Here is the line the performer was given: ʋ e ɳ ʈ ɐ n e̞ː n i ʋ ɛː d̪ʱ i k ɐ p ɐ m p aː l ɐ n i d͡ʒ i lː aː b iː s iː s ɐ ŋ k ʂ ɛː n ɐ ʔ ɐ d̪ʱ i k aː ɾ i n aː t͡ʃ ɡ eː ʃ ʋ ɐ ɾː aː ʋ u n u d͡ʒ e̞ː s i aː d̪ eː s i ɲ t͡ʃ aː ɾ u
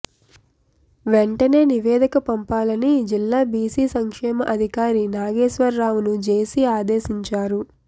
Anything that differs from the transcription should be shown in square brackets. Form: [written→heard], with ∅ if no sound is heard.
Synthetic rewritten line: ʋ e ɳ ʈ ɐ n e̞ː n i ʋ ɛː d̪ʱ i k ɐ p ɐ m p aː l ɐ n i d͡ʒ i lː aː b iː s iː s ɐ ŋ k ʂ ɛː [n→m] ɐ ʔ ɐ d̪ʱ i k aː ɾ i n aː [t͡ʃ→∅] ɡ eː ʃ ʋ ɐ ɾː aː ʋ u n u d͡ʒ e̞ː s i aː d̪ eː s i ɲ t͡ʃ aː ɾ u